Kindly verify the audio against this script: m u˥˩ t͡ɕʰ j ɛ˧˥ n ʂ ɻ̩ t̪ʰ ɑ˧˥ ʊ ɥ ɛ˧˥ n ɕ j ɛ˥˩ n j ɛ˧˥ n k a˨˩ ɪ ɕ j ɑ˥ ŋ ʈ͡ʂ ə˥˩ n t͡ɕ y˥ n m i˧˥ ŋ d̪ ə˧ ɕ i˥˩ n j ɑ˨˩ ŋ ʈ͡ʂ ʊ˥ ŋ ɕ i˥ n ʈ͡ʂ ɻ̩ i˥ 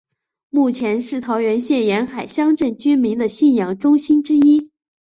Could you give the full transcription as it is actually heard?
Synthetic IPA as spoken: m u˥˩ t͡ɕʰ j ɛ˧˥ n ʂ ɻ̩ t̪ʰ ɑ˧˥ ʊ ɥ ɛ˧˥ n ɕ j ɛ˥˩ n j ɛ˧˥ n x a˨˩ ɪ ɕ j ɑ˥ ŋ ʈ͡ʂ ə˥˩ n t͡ɕ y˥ n m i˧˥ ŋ d̪ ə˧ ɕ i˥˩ n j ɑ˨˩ ŋ ʈ͡ʂ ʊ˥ ŋ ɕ i˥ n ʈ͡ʂ ɻ̩ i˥